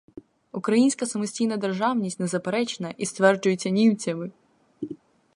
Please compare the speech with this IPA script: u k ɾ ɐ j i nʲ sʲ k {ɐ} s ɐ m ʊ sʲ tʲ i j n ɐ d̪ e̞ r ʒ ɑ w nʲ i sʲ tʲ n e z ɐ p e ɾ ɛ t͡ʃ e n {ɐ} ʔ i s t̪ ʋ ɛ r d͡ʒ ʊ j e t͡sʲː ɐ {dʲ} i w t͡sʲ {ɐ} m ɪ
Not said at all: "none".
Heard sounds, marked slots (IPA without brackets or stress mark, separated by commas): ɐ, ɐ, nʲ, ɐ